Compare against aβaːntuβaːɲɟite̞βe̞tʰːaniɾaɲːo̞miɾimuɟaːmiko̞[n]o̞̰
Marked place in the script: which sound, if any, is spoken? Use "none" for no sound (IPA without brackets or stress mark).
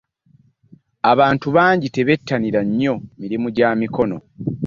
n